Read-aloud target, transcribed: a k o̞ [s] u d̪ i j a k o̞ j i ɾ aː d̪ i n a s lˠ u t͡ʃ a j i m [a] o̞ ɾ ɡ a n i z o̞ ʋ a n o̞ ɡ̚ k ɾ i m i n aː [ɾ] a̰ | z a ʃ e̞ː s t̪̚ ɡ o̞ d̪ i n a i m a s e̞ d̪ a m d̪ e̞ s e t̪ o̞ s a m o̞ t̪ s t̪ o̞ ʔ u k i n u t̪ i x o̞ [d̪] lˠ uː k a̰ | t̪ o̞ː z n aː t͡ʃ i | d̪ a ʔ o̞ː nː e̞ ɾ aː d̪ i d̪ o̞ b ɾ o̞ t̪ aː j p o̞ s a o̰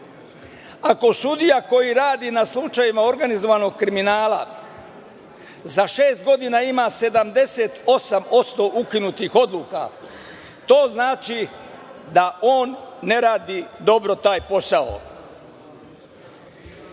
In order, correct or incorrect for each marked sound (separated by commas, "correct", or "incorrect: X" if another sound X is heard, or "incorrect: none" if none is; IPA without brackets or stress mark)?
correct, correct, incorrect: l, correct